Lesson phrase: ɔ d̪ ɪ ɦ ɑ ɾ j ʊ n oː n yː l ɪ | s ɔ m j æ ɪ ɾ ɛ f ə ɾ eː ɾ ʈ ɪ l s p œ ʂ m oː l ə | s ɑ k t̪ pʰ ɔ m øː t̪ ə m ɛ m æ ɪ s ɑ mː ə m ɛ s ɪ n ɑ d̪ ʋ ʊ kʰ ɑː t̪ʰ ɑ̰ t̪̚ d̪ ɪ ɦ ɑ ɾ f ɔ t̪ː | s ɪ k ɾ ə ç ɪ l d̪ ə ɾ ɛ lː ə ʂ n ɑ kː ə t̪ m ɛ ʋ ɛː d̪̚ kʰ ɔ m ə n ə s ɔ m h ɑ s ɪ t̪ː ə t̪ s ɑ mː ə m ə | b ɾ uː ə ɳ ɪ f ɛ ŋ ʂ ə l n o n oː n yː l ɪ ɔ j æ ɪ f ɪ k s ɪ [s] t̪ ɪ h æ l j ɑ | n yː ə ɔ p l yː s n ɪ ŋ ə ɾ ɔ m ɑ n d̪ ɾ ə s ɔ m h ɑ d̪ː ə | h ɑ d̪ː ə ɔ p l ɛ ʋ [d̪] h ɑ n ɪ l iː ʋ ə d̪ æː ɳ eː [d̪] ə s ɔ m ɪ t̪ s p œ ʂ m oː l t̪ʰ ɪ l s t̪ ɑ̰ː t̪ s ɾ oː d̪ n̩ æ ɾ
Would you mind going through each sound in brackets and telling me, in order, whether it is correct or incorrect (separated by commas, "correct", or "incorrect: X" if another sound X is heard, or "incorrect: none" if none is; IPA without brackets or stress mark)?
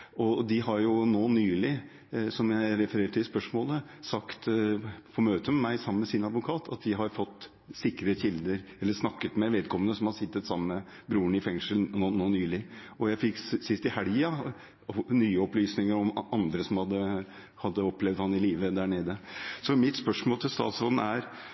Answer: correct, correct, correct